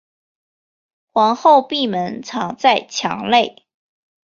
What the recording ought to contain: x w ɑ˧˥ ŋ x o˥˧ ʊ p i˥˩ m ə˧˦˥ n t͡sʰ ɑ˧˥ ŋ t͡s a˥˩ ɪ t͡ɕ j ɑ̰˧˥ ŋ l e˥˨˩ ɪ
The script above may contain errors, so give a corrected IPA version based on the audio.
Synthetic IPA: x w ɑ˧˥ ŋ x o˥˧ ʊ p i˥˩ m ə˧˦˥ n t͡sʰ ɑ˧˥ ŋ t͡s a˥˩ ɪ t͡ɕʰ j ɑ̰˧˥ ŋ l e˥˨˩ ɪ